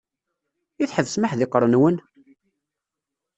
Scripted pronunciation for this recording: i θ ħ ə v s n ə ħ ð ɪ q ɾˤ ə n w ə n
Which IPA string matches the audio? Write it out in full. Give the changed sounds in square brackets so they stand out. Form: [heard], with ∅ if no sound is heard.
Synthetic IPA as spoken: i θ ħ ə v s [m] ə ħ ð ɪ q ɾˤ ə n w ə n